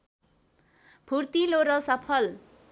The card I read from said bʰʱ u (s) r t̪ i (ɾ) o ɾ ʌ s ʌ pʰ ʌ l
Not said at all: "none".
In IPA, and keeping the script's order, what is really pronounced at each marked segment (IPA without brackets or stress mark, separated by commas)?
none, l